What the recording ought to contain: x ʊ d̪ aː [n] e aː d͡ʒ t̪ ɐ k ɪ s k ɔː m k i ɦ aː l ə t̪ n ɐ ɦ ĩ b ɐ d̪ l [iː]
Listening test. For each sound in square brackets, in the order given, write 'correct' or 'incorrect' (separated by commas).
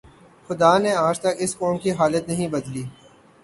correct, correct